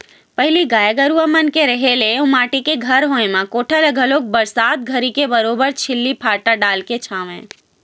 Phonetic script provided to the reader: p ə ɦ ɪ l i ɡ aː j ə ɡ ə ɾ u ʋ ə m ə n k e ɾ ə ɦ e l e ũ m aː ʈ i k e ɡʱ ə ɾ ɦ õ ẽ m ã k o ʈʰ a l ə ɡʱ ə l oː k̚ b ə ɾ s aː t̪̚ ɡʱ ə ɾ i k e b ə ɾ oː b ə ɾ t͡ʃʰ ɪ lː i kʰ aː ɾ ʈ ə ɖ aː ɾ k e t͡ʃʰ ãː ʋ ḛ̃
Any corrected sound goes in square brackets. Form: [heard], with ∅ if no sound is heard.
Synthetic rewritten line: p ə ɦ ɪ l i ɡ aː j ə ɡ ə ɾ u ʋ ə m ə n k e ɾ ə ɦ e l e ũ m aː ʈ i k e ɡʱ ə ɾ ɦ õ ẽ m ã k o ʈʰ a l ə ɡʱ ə l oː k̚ b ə ɾ s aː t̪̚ ɡʱ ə ɾ i k e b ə ɾ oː b ə ɾ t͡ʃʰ ɪ lː i [pʰ] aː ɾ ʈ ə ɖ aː [l] k e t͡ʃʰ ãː ʋ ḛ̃